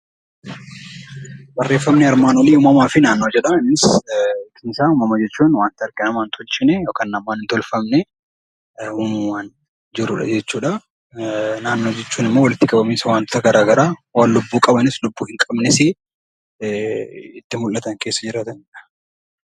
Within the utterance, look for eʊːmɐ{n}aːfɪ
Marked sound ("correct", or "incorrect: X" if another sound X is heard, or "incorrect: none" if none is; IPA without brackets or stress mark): incorrect: m